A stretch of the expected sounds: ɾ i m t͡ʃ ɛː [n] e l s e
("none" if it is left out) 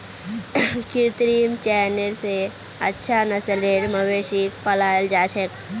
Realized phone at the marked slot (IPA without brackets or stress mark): n